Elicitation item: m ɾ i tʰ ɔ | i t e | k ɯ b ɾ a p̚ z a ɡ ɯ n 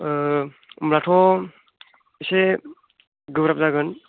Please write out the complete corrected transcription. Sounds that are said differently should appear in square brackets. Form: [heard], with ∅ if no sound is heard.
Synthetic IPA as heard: m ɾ [a] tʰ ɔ | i [s] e | [ɡ] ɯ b ɾ a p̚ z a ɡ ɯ n